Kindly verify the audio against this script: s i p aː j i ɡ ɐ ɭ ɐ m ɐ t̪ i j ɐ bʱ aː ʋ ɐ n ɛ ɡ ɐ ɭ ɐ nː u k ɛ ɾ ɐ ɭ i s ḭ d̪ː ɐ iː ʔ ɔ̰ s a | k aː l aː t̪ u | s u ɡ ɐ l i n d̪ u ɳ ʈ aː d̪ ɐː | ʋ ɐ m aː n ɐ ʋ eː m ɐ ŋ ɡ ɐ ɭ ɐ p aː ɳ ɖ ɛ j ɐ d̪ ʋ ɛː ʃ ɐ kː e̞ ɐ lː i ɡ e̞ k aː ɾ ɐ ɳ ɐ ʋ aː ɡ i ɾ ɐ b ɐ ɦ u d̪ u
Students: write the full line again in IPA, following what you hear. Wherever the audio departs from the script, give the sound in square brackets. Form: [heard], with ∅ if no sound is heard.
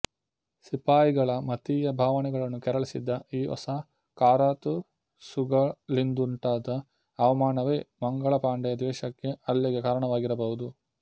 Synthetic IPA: s i p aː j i ɡ ɐ ɭ ɐ m ɐ t̪ i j ɐ bʱ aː ʋ ɐ n ɛ ɡ ɐ ɭ ɐ nː u k ɛ ɾ ɐ ɭ i s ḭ d̪ː ɐ iː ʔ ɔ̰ s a | k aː [ɾ] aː t̪ u | s u ɡ ɐ l i n d̪ u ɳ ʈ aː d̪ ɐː | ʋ ɐ m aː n ɐ ʋ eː m ɐ ŋ ɡ ɐ ɭ ɐ p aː ɳ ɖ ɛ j ɐ d̪ ʋ ɛː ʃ ɐ kː e̞ ɐ lː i ɡ e̞ k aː ɾ ɐ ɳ ɐ ʋ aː ɡ i ɾ ɐ b ɐ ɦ u d̪ u